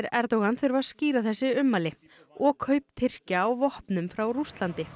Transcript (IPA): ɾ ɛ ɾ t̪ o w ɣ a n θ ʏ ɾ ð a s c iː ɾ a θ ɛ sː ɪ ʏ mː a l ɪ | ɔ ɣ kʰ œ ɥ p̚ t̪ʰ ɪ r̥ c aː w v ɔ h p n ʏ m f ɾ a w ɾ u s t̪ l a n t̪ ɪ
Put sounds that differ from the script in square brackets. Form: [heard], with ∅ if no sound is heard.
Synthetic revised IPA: ɾ ɛ ɾ t̪ o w ɣ a n θ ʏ ɾ [v] a s c iː ɾ a θ ɛ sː ɪ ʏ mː a l ɪ | ɔ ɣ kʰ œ ɥ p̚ t̪ʰ ɪ r̥ c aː w v ɔ h p n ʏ m f ɾ a w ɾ u s t̪ l a n t̪ ɪ